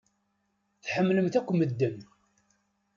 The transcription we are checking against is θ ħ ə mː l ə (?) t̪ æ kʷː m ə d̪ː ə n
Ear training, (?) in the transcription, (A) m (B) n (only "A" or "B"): A